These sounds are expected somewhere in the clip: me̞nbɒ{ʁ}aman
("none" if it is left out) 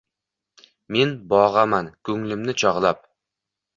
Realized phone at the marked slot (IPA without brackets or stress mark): ʁ